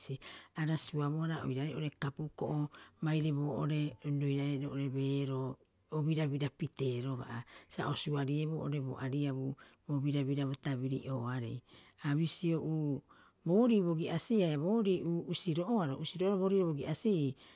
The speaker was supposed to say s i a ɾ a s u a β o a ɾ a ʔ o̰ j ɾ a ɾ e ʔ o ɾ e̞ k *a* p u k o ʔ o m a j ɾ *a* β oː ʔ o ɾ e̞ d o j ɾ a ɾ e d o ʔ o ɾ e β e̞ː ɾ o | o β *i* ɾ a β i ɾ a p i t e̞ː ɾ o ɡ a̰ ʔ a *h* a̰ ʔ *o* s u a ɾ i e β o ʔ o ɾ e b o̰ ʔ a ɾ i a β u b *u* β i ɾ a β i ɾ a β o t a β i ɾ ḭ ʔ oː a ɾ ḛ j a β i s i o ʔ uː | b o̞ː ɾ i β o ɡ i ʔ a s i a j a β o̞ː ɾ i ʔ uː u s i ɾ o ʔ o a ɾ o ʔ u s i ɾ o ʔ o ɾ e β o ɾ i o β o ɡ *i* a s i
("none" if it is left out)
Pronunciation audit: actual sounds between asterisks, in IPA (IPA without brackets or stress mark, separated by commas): a, e, i, s, o, o, i